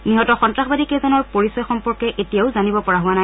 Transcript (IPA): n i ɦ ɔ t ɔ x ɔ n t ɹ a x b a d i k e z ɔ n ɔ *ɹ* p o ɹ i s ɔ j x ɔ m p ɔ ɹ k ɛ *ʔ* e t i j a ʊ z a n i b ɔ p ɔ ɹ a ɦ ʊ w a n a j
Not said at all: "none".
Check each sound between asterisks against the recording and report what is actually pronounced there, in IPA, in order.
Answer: ɹ, ʔ

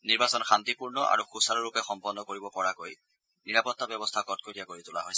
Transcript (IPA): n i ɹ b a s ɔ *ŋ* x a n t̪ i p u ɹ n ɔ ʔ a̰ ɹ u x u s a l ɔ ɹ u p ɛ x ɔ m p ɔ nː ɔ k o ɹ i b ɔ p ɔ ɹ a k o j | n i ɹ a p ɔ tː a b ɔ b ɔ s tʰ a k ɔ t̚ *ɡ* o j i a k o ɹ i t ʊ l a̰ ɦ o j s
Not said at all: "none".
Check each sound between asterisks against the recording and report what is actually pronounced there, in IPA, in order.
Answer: n, k

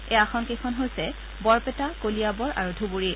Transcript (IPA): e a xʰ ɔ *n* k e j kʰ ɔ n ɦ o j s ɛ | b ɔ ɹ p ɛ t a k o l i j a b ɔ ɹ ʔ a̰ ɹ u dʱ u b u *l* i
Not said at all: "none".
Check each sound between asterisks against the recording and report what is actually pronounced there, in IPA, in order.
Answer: n, ɹ

